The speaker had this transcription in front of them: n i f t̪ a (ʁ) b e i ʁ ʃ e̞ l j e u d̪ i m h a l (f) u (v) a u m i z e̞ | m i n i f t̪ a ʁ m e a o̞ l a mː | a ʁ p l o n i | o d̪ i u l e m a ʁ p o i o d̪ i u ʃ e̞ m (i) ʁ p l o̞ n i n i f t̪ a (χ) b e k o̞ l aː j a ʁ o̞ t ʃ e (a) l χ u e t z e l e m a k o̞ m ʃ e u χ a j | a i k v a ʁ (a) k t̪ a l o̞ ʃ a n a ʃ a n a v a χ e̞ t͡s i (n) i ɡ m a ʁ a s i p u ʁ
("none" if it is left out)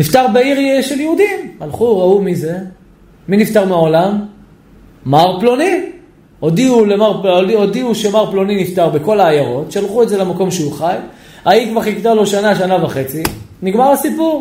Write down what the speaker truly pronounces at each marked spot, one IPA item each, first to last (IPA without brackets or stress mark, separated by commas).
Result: ʁ, χ, ʁ, a, ʁ, a, i, n